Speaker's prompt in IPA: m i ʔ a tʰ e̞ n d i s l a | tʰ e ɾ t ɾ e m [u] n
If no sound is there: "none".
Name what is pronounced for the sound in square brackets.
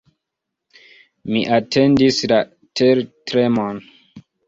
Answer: o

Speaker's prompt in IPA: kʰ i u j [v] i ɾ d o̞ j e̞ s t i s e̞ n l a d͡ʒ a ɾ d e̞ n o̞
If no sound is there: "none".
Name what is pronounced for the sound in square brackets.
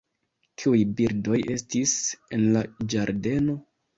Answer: b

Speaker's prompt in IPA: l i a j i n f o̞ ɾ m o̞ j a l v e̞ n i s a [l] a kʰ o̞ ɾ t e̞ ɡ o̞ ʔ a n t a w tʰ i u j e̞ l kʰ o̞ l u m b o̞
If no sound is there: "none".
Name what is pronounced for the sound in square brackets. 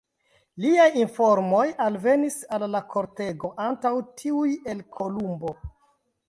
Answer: lː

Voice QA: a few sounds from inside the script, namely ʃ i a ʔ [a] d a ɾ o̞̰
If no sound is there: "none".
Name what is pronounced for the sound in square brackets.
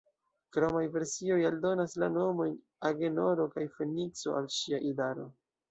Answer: i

